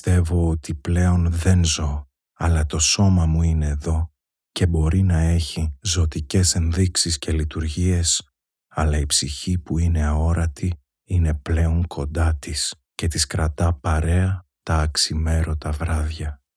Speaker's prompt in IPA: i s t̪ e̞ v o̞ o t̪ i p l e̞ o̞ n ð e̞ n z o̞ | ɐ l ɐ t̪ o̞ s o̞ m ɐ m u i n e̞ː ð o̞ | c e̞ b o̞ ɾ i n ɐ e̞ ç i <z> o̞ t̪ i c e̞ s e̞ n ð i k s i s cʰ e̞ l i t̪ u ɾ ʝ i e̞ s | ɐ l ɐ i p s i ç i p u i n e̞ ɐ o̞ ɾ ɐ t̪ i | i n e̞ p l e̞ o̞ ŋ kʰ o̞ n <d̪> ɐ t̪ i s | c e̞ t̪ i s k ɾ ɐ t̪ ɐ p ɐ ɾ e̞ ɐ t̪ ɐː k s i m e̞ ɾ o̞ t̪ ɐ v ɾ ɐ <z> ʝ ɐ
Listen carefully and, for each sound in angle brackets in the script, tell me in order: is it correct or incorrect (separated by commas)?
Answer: correct, correct, incorrect